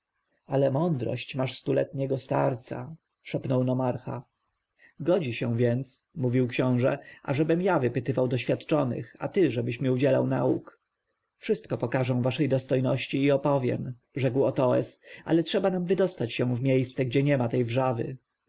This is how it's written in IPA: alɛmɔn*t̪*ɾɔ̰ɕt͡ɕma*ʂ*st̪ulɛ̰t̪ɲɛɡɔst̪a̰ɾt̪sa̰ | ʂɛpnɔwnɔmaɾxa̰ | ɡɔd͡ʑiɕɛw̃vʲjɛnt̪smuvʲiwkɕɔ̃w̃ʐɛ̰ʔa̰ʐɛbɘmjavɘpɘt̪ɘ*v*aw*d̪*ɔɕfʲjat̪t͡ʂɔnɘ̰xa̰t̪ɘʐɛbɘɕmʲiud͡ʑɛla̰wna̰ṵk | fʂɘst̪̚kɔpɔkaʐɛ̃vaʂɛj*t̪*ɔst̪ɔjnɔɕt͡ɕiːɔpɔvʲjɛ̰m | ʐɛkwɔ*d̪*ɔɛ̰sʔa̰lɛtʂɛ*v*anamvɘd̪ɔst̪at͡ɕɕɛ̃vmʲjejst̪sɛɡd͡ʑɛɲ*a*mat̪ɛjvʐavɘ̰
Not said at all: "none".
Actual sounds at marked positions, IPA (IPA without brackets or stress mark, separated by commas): d̪, ʂ, v, d̪, d̪, t̪, b, ɛ